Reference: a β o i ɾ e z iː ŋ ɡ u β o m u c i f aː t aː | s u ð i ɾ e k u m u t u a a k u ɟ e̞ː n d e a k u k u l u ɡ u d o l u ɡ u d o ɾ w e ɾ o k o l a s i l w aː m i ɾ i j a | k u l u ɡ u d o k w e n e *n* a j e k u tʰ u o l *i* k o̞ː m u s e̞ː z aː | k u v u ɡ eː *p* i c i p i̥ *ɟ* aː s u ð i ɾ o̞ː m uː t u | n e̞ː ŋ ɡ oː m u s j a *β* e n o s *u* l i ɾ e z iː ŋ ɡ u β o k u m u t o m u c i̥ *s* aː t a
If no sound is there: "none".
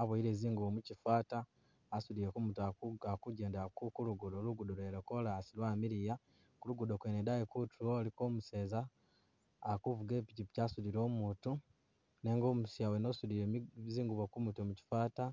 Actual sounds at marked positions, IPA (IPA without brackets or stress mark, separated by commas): d, i, p, c, w, u, f